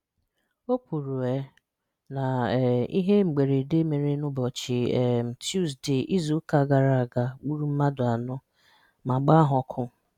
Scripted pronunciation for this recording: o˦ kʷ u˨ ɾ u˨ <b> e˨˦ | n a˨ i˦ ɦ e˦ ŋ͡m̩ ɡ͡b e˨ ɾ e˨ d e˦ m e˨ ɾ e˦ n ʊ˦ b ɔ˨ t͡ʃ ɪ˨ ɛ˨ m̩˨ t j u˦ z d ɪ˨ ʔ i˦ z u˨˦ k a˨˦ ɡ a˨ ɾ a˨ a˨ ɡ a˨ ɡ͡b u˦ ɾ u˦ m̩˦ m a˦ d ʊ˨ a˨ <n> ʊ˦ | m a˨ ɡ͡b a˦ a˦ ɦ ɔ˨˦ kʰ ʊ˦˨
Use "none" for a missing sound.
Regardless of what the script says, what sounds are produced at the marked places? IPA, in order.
none, n

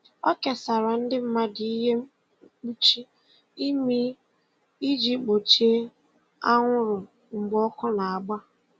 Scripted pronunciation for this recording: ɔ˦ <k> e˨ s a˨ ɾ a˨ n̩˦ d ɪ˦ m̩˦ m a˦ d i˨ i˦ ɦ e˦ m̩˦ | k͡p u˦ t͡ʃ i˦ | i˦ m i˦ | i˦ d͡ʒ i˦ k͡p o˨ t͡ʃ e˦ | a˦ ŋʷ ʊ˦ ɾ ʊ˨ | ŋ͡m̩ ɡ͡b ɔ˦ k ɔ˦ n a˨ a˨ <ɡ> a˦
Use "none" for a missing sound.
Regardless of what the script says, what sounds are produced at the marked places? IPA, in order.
k, ɡ͡b

